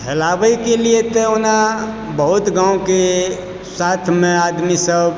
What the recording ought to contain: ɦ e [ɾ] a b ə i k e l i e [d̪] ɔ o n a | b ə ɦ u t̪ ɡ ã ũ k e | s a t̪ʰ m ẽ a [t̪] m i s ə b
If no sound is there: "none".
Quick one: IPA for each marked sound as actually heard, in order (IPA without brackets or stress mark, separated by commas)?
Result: l, t̪, d̪